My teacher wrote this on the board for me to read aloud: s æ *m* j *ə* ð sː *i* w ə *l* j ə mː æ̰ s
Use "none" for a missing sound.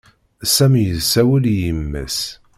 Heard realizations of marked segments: m, ə, æ, l

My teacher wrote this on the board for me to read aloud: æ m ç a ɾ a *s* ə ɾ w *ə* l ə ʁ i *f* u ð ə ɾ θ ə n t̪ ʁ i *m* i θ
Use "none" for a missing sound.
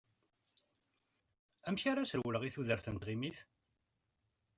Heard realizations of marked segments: s, ə, θ, m

